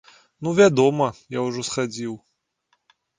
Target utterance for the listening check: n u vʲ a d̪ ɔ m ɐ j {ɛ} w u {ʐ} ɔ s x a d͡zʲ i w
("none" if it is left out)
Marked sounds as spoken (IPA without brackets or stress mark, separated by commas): a, ʐ